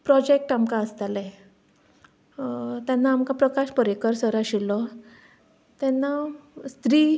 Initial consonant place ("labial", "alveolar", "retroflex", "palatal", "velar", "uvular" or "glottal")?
labial